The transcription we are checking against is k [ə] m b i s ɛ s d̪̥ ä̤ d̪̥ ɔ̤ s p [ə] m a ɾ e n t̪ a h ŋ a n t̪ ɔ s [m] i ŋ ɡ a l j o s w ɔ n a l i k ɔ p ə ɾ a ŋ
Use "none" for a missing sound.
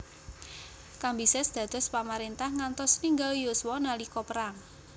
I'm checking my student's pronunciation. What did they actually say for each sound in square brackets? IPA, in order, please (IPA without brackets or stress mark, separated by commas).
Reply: a, a, n